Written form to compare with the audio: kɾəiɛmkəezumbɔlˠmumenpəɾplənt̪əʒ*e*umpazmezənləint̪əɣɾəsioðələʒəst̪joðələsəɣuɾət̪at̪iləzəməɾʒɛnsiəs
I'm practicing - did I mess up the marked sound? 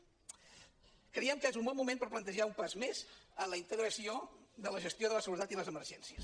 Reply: yes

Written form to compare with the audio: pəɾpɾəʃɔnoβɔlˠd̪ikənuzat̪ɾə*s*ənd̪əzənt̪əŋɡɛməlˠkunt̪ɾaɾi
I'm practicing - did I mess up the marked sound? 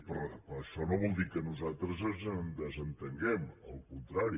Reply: yes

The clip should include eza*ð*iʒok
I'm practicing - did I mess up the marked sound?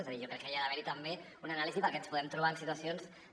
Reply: no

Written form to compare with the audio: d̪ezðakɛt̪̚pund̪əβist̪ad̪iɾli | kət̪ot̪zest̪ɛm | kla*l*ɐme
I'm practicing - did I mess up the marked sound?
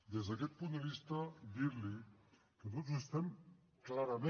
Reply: yes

